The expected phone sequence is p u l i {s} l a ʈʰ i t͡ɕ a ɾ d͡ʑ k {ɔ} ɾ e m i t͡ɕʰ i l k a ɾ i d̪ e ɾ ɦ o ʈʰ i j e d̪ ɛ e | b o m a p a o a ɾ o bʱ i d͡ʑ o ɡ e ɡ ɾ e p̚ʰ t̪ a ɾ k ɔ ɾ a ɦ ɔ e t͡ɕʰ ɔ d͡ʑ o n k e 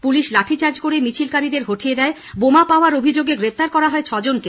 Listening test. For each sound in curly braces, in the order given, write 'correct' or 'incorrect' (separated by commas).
incorrect, incorrect